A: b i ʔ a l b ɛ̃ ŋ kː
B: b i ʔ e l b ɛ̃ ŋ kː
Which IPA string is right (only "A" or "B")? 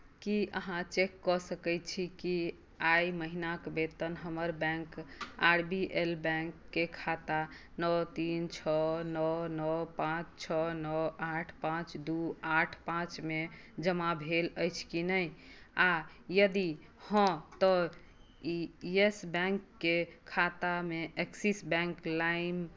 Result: B